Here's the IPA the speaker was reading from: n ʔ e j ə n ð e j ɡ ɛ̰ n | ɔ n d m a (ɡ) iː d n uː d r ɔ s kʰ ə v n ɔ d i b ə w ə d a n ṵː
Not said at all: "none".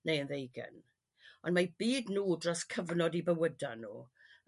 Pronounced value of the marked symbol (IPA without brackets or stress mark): b